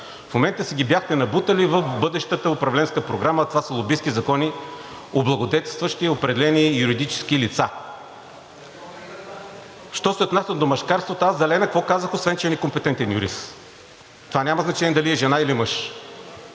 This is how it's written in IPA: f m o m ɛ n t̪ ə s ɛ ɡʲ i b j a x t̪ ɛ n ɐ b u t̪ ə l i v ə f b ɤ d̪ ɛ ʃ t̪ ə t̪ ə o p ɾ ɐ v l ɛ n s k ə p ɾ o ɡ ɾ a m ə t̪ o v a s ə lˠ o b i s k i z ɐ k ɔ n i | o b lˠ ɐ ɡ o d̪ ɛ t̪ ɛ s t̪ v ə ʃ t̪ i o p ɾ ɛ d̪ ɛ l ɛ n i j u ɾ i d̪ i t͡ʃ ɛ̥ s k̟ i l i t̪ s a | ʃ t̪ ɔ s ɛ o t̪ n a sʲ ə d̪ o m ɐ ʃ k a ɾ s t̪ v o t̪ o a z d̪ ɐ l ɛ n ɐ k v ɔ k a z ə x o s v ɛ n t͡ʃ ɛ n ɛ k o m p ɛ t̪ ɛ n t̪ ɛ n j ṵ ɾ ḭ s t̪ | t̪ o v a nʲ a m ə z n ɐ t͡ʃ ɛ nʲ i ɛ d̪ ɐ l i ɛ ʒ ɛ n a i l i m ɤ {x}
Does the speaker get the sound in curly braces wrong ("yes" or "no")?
yes